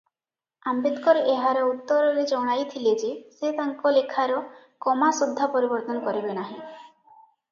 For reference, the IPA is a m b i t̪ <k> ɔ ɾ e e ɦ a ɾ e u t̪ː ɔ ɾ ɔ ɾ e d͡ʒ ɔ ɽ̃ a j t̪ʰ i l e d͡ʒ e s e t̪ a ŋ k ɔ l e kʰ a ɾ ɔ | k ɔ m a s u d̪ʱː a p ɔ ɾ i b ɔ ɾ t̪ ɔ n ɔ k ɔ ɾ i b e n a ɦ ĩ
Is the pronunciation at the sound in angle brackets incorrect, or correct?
correct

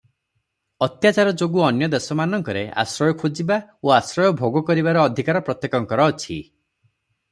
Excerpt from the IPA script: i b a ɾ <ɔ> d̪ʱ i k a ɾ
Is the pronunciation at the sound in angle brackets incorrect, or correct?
incorrect: ɔː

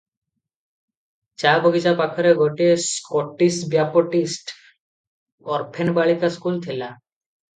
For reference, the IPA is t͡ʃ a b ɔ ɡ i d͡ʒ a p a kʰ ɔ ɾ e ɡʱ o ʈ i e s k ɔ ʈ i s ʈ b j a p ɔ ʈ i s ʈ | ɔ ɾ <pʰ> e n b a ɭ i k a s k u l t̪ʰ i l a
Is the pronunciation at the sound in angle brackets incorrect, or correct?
correct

